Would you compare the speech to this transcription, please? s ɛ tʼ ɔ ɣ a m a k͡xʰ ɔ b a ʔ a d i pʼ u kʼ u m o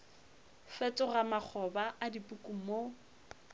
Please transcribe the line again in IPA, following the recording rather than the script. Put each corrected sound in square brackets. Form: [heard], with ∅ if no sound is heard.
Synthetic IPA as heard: [f] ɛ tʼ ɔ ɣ a m a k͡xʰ ɔ b a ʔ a d i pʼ u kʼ u m o